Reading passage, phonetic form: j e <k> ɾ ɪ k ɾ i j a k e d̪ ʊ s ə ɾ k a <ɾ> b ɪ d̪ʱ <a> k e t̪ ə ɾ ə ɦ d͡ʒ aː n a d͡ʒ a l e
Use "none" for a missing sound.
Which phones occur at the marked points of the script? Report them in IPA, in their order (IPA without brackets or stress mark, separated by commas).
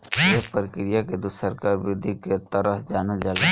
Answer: p, ɾ, i